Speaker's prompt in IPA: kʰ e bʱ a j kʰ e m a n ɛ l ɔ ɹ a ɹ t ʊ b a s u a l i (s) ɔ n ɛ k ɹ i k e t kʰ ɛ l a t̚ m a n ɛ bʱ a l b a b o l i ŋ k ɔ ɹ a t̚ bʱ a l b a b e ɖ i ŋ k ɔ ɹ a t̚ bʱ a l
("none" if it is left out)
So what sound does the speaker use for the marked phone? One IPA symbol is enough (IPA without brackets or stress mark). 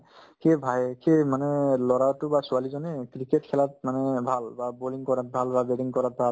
z